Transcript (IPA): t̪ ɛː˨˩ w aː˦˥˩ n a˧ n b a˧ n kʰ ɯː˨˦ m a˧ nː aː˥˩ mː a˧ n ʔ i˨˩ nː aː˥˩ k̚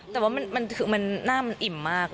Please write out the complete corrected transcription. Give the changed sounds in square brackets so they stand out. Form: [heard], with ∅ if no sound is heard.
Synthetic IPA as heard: t̪ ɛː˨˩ w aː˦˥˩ [m] a˧ n [m] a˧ n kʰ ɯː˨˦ m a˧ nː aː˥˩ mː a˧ n ʔ i˨˩ [mː] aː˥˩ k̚